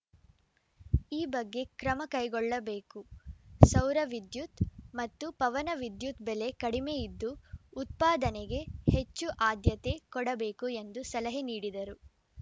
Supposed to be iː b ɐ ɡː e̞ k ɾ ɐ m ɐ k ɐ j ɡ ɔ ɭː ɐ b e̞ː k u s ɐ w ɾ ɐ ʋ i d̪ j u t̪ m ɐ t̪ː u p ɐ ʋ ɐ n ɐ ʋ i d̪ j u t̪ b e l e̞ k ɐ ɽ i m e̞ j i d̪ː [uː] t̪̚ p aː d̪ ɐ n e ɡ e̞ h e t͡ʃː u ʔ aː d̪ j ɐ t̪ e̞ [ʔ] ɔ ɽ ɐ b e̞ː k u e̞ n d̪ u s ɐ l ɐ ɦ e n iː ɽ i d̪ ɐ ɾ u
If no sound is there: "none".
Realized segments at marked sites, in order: uː, k

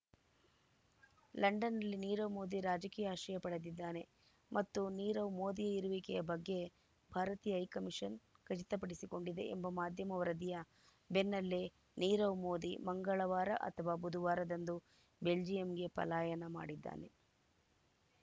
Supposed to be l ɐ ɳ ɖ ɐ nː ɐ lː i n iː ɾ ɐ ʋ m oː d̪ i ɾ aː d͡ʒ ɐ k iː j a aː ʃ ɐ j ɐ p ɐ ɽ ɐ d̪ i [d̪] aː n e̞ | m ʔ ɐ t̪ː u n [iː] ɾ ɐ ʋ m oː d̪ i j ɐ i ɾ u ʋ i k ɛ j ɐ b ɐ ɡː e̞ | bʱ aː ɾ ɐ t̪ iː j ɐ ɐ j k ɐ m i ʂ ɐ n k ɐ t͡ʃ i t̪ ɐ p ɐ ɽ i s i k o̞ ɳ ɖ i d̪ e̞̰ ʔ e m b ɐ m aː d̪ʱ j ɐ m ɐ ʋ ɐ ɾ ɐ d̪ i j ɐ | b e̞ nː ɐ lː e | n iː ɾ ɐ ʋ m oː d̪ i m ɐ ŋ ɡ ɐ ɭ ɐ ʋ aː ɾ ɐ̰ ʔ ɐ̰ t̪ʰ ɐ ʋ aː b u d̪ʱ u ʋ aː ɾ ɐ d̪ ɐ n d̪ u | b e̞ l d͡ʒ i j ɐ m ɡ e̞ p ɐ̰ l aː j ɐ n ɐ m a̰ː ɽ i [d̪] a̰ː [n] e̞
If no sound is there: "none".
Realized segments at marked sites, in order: d̪ː, iː, d̪ː, n

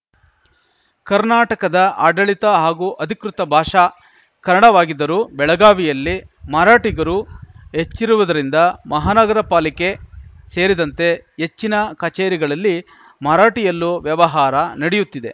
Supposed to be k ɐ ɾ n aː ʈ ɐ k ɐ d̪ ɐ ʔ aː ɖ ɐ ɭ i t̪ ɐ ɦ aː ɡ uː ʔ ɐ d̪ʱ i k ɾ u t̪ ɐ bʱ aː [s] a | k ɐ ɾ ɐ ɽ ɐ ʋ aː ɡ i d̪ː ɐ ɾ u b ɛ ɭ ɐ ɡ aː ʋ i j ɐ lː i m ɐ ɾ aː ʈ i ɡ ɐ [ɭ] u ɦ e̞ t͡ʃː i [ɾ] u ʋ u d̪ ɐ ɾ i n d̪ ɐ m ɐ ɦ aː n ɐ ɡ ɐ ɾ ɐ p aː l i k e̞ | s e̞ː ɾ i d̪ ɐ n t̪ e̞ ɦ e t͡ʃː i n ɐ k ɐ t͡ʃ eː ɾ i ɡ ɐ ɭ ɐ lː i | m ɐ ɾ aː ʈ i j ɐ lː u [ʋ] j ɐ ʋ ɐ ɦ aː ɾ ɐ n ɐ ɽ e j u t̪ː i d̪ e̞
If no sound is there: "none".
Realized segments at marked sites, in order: ʂ, ɾ, ɾ, ʋ

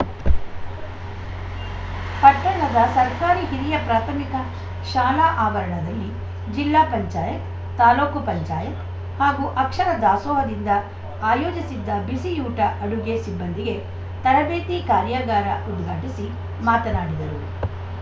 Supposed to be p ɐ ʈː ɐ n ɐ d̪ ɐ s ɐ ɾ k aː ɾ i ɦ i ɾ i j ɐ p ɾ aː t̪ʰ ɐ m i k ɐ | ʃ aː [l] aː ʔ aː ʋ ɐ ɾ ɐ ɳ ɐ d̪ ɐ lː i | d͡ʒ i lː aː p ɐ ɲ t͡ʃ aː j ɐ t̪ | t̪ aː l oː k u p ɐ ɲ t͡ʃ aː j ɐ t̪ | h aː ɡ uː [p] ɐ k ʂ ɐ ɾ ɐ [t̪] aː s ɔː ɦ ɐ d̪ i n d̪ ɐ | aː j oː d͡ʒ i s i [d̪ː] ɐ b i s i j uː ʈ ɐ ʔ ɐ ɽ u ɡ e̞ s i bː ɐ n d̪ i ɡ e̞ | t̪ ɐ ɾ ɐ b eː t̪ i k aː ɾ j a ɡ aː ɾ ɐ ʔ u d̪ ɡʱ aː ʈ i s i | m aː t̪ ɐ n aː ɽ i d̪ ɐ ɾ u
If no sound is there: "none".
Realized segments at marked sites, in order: l, ʔ, d̪, d̪ː

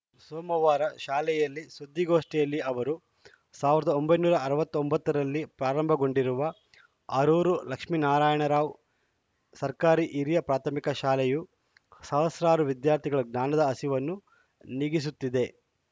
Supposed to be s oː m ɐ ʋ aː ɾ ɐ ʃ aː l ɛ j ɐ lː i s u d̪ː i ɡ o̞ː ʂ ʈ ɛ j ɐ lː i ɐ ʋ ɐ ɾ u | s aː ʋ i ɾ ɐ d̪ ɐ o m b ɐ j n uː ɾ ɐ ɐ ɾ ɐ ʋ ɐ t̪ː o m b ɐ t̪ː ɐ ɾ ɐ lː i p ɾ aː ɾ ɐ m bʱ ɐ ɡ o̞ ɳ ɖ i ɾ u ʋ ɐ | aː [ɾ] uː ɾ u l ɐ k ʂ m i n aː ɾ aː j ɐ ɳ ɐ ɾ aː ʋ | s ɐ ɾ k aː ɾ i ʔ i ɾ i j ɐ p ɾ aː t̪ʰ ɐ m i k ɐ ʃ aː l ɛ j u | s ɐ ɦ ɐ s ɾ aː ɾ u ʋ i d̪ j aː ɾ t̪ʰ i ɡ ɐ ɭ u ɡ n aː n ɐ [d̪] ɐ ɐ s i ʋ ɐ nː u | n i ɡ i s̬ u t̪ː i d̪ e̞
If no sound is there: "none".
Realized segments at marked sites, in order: ɾ, d̪

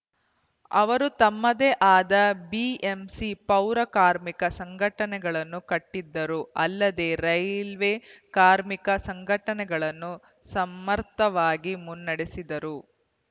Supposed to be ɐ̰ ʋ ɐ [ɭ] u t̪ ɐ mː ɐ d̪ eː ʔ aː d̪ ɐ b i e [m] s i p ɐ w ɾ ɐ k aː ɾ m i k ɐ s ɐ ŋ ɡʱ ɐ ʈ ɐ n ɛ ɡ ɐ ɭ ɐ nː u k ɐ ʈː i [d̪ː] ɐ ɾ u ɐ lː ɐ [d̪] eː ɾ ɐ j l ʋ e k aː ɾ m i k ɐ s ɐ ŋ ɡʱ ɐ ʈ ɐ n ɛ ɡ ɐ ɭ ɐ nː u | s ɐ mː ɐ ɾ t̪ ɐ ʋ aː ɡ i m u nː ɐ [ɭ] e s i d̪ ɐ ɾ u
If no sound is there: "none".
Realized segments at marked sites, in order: ɾ, m, d̪ː, d̪, ɽ

